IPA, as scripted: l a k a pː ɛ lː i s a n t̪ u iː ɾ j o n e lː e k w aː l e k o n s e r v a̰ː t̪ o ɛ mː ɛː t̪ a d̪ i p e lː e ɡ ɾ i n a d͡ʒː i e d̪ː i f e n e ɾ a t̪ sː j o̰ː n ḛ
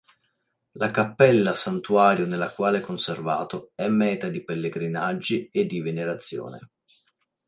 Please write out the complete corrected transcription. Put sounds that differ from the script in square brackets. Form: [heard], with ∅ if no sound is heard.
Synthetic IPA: l a k a pː ɛ lː [a] s a n t̪ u [aː] ɾ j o n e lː [a] k w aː l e k o n s e r v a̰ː t̪ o ɛ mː ɛː t̪ a d̪ i p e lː e ɡ ɾ i n a d͡ʒː i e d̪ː i [v] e n e ɾ a t̪ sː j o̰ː n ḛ